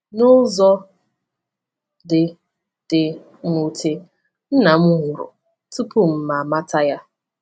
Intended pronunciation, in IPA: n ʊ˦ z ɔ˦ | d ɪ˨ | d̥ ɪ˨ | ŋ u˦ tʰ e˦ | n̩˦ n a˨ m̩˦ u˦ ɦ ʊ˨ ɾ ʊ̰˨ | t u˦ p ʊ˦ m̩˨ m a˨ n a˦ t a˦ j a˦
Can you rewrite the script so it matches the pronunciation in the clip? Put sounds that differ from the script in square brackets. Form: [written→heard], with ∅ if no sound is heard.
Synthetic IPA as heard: n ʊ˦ z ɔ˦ | d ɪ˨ | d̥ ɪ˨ | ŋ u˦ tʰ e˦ | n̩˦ n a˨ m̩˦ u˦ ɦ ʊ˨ ɾ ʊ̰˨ | t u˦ p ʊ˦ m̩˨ m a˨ [n→m] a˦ t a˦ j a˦